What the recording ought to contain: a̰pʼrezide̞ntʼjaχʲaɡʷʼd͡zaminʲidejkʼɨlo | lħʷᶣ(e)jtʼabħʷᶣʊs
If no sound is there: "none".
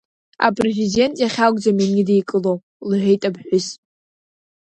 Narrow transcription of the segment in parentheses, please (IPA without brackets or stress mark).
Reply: e